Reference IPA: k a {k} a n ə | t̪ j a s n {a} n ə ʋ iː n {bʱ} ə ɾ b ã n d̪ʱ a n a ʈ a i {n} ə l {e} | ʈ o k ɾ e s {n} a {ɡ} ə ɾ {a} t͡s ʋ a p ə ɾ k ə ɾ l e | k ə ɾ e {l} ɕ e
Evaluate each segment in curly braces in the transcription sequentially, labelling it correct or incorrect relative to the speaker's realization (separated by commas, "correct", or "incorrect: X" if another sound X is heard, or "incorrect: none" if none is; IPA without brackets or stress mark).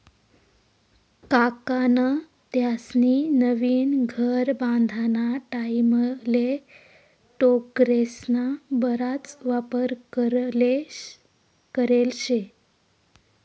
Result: correct, incorrect: i, incorrect: ɡʱ, incorrect: m, correct, correct, incorrect: b, correct, correct